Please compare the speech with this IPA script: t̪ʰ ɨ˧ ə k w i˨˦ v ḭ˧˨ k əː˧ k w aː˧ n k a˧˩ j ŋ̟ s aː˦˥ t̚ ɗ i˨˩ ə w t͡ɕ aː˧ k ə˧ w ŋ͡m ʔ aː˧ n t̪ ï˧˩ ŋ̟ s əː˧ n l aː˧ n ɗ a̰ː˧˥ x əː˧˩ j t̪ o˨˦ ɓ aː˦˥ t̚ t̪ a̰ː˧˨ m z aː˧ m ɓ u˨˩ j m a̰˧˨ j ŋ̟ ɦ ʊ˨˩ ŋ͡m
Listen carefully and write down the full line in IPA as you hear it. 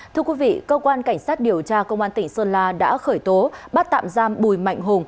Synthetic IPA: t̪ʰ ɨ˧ ə k w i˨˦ v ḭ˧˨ k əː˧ k w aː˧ n k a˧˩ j ŋ̟ s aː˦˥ t̚ ɗ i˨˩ ə w t͡ɕ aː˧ k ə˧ w ŋ͡m ʔ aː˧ n t̪ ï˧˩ ŋ̟ s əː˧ n l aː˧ ɗ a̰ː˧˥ x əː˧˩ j t̪ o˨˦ ɓ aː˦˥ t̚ t̪ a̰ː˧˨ m z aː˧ m ɓ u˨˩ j m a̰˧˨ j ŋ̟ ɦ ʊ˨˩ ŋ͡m